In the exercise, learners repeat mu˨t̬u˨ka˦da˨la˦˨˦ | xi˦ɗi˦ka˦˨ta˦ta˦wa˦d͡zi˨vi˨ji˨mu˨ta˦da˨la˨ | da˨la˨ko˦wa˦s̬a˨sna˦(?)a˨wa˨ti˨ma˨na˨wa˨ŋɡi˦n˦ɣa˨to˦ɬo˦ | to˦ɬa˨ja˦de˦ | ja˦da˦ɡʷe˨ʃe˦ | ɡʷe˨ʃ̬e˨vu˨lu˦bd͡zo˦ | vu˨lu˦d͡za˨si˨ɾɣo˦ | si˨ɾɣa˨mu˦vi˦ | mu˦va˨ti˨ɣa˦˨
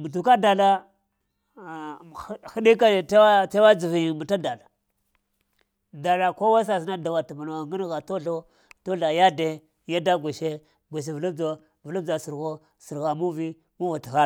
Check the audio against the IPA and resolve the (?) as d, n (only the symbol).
d